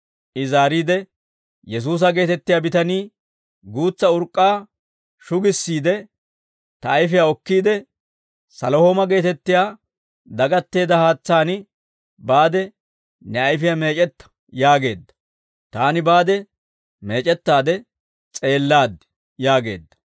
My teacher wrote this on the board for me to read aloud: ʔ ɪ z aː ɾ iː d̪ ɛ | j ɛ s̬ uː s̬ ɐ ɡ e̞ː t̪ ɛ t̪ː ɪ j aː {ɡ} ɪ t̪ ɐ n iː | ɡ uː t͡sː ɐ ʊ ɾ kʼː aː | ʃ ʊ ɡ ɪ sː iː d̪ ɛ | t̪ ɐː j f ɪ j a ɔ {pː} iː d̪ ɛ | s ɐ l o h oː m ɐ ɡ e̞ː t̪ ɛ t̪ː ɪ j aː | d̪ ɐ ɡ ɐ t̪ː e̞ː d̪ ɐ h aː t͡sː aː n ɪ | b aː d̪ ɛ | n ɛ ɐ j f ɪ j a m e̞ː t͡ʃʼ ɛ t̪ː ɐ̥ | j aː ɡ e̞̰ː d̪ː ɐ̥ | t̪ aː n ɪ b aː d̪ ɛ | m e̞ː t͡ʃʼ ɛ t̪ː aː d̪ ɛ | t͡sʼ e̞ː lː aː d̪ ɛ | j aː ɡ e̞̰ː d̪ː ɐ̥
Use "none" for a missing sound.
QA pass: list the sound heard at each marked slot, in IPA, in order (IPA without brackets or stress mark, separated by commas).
b, kː